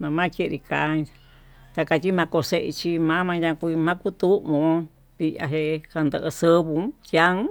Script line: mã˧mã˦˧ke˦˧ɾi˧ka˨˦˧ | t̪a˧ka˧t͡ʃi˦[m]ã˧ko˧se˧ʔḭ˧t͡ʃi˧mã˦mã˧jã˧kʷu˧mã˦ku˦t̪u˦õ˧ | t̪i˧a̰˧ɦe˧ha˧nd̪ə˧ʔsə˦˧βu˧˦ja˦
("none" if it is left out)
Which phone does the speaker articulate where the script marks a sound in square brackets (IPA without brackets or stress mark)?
m